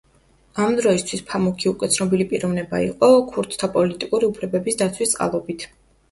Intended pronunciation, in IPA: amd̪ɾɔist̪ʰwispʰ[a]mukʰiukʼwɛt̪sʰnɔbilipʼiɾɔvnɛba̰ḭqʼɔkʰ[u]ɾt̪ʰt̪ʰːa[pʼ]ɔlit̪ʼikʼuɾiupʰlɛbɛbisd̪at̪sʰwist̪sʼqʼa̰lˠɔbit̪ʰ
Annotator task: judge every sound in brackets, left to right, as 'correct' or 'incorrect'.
correct, correct, correct

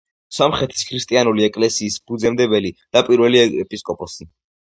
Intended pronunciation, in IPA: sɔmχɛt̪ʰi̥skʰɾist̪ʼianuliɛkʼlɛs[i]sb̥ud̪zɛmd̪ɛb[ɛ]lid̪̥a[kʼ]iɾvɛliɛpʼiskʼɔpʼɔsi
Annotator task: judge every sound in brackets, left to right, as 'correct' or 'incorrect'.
incorrect: iː, correct, incorrect: pʼ

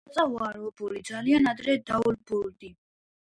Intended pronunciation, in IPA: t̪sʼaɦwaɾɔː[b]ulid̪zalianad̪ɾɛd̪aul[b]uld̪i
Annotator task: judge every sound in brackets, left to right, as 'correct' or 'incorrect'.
correct, correct

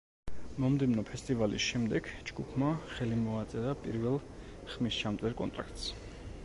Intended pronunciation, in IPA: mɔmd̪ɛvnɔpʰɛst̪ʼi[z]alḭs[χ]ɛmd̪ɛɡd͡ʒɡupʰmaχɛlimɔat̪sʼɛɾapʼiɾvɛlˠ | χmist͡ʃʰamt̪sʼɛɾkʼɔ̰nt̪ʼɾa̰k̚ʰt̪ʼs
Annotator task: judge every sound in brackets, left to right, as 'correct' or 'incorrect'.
incorrect: v, incorrect: ʃ

